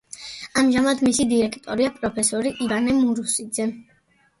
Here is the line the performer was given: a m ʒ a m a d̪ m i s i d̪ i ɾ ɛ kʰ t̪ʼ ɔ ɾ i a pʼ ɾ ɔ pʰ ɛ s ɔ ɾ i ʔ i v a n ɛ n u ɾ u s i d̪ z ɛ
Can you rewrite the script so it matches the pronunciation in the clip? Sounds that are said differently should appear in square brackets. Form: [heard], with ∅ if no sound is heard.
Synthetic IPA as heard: a m ʒ a m a d̪ m i s i d̪ i ɾ ɛ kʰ t̪ʼ ɔ ɾ i a pʼ ɾ ɔ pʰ ɛ s ɔ ɾ i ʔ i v a n ɛ [m] u ɾ u s i d̪ z ɛ